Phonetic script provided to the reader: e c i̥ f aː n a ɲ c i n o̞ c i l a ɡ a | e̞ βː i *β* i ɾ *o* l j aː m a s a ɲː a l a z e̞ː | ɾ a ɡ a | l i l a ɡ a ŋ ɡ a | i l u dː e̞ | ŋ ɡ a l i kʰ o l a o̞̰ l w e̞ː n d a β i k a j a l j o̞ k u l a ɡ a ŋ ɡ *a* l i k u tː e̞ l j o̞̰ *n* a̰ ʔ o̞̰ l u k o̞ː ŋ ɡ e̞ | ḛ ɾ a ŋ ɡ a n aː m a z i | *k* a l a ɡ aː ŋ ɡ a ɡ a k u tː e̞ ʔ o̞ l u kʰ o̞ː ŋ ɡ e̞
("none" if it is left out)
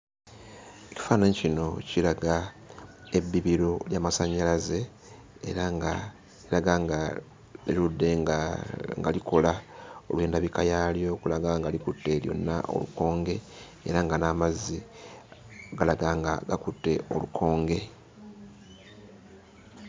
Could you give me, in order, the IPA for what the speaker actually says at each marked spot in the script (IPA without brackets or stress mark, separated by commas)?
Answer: β, o, a, nː, ɡ